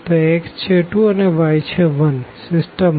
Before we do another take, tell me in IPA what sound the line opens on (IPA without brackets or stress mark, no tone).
t̪